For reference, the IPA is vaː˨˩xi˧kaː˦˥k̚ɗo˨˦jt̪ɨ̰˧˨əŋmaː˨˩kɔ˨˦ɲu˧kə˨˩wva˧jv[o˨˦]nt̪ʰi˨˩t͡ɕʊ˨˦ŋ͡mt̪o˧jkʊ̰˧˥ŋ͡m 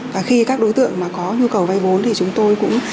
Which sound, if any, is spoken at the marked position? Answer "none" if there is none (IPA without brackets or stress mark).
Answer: o˨˦